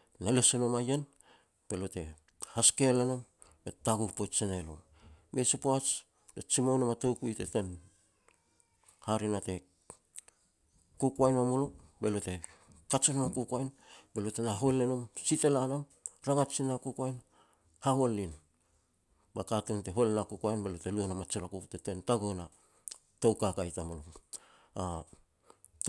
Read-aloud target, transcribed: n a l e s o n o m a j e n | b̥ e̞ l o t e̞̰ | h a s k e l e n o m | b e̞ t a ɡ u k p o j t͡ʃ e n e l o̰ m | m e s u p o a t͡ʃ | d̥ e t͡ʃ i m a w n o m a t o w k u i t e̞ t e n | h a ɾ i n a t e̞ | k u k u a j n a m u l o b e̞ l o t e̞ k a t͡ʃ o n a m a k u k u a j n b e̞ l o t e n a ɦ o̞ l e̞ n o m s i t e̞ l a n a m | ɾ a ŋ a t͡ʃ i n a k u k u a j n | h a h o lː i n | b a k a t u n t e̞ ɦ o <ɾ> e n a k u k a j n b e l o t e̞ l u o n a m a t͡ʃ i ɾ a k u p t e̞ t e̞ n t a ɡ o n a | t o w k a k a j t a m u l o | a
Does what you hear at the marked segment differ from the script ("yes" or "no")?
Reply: yes